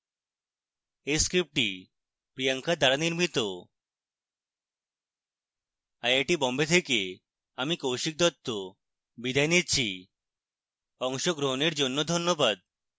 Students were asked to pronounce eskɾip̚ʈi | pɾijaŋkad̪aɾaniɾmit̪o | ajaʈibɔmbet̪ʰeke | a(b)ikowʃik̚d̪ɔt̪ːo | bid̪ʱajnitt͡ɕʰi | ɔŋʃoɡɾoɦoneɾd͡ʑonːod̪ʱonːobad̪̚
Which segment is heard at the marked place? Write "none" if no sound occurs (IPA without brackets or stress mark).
m